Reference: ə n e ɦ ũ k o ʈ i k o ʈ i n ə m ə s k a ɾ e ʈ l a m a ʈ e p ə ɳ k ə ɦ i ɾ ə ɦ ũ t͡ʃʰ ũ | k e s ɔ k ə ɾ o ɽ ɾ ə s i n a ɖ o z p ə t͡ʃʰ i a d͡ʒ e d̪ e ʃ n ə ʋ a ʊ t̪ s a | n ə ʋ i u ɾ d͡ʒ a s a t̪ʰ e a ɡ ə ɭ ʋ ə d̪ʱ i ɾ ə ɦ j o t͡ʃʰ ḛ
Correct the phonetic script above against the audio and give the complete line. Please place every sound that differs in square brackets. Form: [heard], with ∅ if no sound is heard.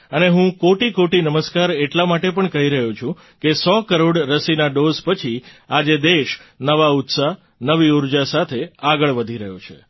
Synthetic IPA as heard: ə n e ɦ ũ k o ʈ i k o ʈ i n ə m ə s k a ɾ e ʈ l a m a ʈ e p ə ɳ k ə ɦ i ɾ ə ɦ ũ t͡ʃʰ ũ | k e s ɔ k ə ɾ o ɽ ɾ ə s i n a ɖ o z p ə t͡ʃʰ i a d͡ʒ e d̪ e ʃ n ə ʋ a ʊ t̪ s a | n ə ʋ i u ɾ d͡ʒ a s a t̪ʰ e a ɡ ə ɭ ʋ ə d̪ʱ i ɾ ə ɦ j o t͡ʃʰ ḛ